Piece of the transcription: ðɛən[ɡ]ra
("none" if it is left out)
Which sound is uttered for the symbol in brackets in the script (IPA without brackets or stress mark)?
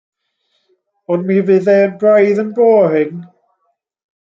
b